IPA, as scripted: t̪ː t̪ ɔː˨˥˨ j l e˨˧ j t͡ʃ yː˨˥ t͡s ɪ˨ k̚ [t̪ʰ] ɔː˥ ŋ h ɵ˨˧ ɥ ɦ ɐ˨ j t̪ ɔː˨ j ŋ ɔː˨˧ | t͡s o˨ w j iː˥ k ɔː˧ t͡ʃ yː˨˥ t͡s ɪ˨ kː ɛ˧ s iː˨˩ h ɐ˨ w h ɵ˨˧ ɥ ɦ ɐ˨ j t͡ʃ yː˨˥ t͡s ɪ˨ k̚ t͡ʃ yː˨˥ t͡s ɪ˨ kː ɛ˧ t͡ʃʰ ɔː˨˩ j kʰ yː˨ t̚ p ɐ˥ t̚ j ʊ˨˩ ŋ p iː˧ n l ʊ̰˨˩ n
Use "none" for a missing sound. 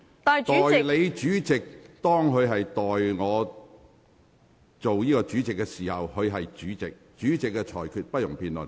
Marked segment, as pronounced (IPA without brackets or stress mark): t̪